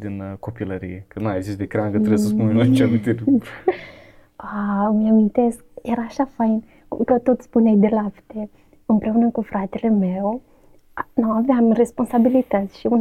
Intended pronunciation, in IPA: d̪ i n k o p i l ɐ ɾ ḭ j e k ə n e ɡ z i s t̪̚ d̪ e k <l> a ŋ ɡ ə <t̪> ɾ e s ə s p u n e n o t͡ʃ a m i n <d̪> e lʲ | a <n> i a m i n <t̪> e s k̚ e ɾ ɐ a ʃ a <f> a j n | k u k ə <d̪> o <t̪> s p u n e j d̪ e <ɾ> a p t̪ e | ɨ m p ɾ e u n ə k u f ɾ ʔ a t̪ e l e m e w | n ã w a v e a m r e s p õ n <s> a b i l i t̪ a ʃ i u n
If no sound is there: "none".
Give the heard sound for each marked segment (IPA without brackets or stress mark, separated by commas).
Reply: ɾ, t̪, t̪, m, t̪, f, t̪, t̪, l, s